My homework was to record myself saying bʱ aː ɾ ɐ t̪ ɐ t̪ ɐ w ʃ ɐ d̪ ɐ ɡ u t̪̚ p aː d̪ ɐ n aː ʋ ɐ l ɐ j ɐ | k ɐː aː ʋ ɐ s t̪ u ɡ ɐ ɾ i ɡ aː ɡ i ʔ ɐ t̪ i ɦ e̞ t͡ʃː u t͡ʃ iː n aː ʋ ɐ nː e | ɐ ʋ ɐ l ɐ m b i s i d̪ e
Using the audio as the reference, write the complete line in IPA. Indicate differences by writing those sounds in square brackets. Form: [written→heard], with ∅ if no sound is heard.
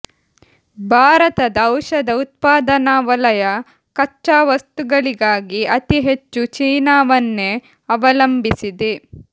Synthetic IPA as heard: bʱ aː ɾ ɐ t̪ ɐ [t̪→d̪] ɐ w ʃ ɐ d̪ ɐ [ɡ→∅] u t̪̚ p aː d̪ ɐ n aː ʋ ɐ l ɐ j ɐ | k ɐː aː ʋ ɐ s t̪ u ɡ ɐ [ɾ→ɭ] i ɡ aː ɡ i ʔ ɐ t̪ i ɦ e̞ t͡ʃː u t͡ʃ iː n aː ʋ ɐ nː e | ɐ ʋ ɐ l ɐ m b i s i d̪ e